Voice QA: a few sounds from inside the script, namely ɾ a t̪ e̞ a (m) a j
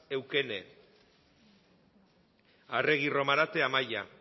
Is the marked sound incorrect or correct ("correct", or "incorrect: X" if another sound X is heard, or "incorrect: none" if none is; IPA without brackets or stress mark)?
correct